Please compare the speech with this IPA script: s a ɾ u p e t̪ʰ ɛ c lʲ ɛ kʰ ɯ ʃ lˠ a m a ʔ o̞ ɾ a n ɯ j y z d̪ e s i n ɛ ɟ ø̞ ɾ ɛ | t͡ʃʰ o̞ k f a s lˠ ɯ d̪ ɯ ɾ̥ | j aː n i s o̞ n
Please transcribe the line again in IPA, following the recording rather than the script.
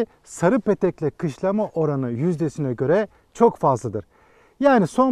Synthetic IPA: s a ɾ ɯ p e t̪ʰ ɛ c lʲ ɛ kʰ ɯ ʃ lˠ a m a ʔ o̞ ɾ a n ɯ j y z d̪ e s i n ɛ ɟ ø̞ ɾ ɛ | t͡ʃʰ o̞ k f a z lˠ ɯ d̪ ɯ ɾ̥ | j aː n i s o̞ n